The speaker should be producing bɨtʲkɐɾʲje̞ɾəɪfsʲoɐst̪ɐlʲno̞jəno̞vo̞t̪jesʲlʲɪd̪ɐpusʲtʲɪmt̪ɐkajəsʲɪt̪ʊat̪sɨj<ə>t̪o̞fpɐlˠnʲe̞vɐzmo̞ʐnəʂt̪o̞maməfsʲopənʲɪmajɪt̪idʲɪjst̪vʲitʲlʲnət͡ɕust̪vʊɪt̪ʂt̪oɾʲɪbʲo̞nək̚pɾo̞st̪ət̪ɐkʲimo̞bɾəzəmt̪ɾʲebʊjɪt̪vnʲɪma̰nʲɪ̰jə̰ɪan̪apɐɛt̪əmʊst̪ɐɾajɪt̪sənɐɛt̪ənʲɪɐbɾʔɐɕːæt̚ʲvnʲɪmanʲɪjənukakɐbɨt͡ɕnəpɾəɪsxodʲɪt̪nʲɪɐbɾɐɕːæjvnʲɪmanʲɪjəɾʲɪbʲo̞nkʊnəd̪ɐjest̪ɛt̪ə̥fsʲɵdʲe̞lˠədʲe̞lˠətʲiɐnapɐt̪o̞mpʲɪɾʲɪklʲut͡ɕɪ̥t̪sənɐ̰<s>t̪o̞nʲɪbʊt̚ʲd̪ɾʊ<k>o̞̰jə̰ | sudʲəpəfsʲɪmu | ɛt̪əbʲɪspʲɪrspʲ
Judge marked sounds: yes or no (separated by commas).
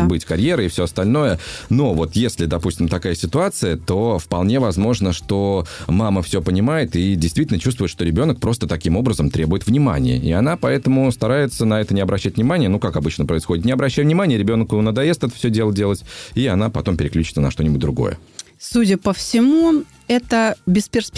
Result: yes, no, no